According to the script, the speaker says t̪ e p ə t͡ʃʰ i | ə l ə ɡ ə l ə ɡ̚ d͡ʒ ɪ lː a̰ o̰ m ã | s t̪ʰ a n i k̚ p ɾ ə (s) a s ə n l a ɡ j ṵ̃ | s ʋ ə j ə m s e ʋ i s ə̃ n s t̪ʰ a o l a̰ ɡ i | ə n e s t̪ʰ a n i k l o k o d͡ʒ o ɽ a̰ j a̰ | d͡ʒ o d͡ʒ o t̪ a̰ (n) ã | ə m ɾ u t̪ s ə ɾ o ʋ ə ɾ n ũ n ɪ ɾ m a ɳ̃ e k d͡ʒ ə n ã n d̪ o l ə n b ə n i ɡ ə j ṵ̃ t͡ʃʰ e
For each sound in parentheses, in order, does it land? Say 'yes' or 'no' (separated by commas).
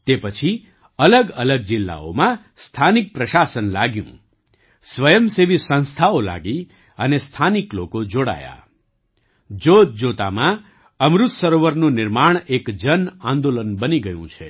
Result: no, no